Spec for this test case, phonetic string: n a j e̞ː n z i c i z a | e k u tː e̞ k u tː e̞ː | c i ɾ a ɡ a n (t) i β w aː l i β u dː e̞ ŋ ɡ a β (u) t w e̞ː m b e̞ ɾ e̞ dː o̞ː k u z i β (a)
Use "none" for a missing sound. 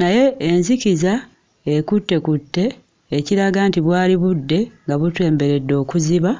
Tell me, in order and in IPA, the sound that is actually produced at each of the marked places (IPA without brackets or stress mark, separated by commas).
t, u, a